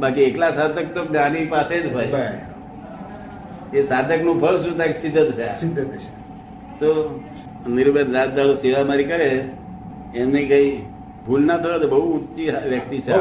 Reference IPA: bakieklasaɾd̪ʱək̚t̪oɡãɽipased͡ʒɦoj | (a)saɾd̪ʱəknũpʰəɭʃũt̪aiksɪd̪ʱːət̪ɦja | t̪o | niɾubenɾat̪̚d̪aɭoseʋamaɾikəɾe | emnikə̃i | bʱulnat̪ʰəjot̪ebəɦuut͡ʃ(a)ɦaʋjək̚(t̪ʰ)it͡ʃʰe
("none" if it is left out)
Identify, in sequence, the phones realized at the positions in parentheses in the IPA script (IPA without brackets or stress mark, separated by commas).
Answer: e, i, t̪